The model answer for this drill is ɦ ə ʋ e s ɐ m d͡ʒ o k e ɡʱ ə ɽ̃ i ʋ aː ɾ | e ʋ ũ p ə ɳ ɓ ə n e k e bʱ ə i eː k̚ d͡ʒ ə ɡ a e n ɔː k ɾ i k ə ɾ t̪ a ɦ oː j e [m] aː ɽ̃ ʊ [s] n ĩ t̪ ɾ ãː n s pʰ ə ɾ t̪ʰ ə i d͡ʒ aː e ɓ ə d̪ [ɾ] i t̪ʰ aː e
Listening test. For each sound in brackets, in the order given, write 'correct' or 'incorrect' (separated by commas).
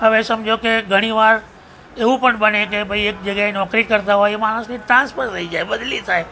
correct, correct, incorrect